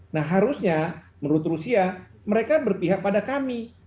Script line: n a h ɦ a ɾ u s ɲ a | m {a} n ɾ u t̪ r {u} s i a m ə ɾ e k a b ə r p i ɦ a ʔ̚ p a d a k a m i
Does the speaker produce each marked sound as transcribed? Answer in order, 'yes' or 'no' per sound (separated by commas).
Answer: no, yes